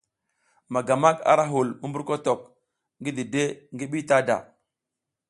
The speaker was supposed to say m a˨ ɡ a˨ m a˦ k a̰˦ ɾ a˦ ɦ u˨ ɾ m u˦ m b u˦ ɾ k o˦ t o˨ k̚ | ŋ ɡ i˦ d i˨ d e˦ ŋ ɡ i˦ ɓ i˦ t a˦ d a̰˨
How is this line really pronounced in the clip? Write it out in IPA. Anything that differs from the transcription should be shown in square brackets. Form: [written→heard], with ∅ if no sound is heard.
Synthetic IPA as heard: m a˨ ɡ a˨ m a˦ k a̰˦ ɾ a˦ ɦ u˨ [ɾ→l] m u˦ m b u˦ ɾ k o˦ t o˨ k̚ | ŋ ɡ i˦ d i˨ d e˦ ŋ ɡ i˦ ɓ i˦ t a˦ d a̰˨